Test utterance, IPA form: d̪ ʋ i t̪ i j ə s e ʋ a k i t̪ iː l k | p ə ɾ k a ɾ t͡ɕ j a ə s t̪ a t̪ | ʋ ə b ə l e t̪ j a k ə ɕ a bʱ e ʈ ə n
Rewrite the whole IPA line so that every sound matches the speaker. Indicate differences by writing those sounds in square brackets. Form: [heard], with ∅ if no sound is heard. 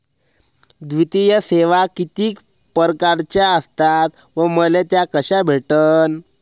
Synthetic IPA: d̪ ʋ i t̪ i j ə s e ʋ a k i t̪ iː [∅] k | p ə ɾ k a ɾ t͡ɕ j a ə s t̪ a t̪ | ʋ ə [m] ə l e t̪ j a k ə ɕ a bʱ e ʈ ə n